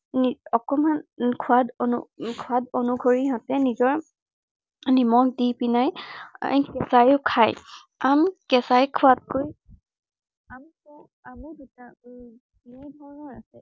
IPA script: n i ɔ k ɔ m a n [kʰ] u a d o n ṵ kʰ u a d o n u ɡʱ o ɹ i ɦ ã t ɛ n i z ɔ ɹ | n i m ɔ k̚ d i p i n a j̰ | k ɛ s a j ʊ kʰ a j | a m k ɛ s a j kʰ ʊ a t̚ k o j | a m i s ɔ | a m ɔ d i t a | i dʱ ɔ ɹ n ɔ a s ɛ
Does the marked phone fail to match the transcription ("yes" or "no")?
no